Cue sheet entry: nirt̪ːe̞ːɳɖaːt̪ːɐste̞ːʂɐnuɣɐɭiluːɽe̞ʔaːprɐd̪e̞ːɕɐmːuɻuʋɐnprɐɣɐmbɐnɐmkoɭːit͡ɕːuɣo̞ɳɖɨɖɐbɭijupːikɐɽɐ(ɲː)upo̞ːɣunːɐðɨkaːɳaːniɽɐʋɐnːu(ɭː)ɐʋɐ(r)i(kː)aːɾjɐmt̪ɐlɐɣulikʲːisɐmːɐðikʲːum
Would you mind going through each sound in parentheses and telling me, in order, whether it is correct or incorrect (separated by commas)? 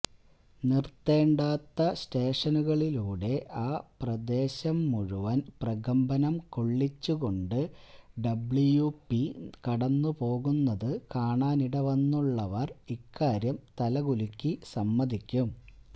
incorrect, correct, correct, correct